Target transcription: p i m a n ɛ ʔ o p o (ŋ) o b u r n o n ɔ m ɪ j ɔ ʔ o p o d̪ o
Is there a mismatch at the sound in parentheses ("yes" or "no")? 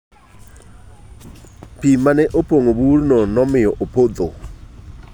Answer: no